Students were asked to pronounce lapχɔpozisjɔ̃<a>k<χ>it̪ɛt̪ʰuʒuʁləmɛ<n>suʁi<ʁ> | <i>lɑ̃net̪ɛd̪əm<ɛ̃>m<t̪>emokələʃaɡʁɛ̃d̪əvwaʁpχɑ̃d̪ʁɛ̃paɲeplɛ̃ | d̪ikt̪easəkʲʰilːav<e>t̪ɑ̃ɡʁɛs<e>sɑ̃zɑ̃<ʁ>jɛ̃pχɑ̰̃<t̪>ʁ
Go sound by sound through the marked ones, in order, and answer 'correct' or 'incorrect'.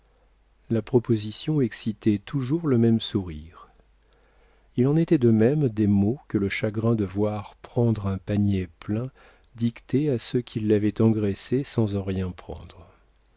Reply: incorrect: ɛ, incorrect: s, incorrect: m, correct, correct, incorrect: ɛ, incorrect: d̪, incorrect: ɛ, correct, correct, incorrect: d̪

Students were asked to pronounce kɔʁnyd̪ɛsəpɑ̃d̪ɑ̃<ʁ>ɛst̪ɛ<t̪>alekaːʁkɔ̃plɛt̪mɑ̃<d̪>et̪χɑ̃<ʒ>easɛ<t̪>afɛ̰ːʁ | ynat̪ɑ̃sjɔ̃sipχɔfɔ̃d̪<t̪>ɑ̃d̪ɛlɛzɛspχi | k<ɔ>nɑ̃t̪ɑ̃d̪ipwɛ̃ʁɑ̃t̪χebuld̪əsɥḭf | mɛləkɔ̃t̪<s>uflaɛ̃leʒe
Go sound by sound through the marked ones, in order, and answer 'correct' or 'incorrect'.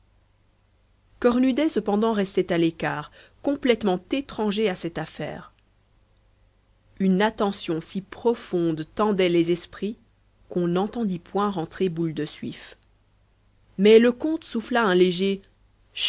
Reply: correct, correct, incorrect: t̪, correct, correct, correct, incorrect: ɔ̃, correct

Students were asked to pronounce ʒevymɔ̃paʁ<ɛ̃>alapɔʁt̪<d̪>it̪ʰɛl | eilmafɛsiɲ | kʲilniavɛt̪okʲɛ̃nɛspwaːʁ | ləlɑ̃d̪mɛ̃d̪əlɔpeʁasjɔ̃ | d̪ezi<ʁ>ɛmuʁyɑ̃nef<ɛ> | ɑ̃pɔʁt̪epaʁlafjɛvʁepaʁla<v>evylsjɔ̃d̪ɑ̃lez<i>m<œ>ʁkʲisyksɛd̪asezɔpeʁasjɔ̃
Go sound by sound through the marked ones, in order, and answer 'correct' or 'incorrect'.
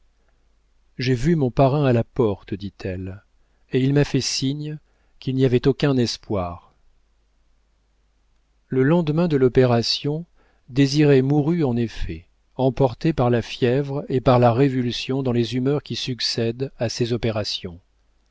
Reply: correct, correct, correct, correct, incorrect: ʁ, incorrect: y, correct

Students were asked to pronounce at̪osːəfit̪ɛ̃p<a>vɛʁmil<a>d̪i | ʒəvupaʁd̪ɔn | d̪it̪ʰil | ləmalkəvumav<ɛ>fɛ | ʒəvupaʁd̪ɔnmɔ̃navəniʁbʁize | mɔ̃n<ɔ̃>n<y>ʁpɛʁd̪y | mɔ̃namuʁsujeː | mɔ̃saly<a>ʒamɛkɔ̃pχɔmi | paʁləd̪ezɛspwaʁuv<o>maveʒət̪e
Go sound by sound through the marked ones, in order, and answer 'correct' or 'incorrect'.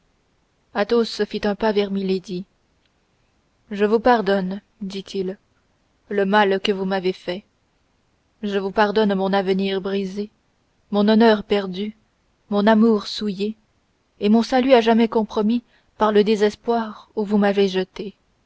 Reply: correct, incorrect: e, incorrect: e, incorrect: ɔ, incorrect: œ, correct, incorrect: u

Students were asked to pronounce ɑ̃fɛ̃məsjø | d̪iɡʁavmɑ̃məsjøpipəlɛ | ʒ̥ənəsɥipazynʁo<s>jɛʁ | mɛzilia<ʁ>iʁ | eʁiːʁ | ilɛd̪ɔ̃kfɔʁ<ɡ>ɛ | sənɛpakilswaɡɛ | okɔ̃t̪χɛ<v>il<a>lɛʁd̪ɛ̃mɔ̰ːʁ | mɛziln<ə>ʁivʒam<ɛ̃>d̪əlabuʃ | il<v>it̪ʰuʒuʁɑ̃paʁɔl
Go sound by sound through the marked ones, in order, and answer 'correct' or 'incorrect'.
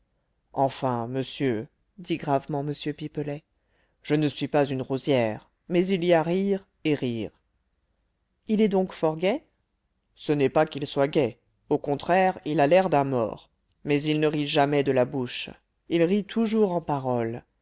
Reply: incorrect: z, correct, correct, incorrect: ʁ, correct, correct, incorrect: ɛ, incorrect: ʁ

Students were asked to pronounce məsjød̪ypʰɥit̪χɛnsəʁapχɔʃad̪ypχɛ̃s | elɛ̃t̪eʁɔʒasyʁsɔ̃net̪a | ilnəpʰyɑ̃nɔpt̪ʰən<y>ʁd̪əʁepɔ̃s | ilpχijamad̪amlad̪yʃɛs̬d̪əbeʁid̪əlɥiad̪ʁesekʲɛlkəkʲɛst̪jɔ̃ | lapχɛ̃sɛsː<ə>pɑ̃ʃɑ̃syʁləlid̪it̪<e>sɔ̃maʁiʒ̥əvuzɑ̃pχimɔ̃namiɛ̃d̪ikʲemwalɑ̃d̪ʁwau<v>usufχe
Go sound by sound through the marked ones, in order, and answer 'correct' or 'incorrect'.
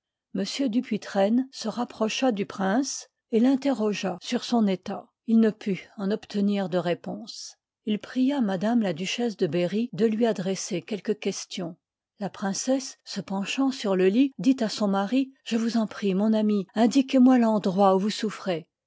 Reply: incorrect: i, correct, incorrect: a, correct

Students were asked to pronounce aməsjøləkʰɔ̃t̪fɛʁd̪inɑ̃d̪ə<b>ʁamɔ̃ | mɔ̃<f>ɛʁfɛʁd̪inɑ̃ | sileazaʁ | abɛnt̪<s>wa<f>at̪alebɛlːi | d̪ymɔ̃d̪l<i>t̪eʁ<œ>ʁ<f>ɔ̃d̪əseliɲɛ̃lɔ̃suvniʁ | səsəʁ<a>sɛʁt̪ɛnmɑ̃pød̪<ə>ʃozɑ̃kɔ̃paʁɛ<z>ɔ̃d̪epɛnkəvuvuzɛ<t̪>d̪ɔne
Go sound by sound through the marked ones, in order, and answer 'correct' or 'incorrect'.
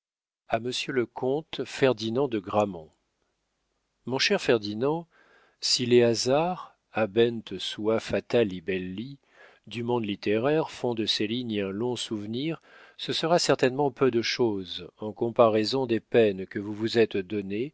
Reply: incorrect: ɡ, incorrect: ʃ, correct, correct, correct, incorrect: ɛ, correct, correct, correct, correct, correct

